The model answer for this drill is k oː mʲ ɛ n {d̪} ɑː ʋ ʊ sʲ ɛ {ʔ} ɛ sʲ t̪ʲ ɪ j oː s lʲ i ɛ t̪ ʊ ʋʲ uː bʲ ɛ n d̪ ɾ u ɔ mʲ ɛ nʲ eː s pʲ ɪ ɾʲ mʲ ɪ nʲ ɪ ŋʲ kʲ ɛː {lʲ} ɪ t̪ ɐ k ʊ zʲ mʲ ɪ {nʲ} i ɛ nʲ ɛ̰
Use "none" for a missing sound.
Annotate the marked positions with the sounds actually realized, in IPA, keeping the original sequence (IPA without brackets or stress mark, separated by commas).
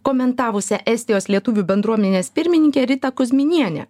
t̪, ʔ, ɾʲ, nʲ